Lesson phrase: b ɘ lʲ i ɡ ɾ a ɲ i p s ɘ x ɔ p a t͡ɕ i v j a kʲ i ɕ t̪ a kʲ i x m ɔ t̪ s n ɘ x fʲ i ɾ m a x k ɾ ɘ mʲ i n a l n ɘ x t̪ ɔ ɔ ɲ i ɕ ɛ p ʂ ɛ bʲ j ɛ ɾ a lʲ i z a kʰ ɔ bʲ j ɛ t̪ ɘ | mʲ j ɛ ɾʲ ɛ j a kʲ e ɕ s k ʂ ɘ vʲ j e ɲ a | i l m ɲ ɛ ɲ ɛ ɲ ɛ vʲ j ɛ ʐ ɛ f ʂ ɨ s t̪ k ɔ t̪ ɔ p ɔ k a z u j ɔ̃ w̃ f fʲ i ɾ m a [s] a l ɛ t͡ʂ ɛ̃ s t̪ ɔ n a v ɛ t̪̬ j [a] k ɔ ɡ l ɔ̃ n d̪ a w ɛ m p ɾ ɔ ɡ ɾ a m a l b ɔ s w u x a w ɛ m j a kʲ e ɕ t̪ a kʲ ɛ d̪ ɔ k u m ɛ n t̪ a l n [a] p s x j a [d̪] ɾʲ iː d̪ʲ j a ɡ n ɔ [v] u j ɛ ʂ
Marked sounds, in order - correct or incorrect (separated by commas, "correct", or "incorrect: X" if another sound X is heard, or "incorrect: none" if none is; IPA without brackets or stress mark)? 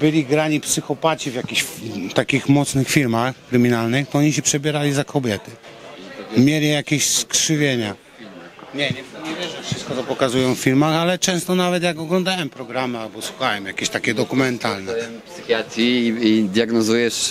incorrect: x, correct, incorrect: ɛ, incorrect: t̪, incorrect: z